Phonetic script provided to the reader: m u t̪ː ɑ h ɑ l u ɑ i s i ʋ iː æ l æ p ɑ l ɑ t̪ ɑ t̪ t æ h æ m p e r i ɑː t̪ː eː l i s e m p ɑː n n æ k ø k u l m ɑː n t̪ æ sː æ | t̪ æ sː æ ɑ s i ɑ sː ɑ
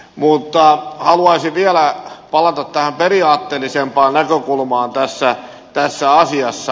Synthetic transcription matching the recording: m u t̪ː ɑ h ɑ l u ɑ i s i ʋ i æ l æ p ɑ l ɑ t̪ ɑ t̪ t æ h æ m p e r i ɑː t̪ː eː l i s e m p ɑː n n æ k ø k u l m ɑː n t̪ æ sː æ | t̪ æ sː æ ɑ s i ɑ sː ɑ